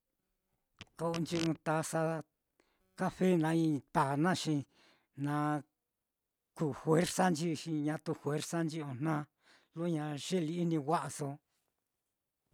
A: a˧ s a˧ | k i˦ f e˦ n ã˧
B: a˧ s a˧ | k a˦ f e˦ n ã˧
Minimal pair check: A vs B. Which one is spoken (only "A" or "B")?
B